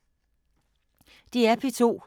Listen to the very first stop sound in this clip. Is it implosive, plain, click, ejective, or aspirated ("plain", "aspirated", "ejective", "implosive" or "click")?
plain